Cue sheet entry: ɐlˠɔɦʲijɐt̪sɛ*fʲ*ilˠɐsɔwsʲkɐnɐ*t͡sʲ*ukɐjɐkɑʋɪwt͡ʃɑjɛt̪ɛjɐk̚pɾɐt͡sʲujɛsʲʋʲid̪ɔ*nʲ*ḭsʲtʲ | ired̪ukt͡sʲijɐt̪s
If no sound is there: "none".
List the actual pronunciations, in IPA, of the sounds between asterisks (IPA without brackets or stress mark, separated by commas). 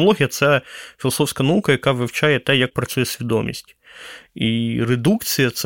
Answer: fʲ, none, mʲ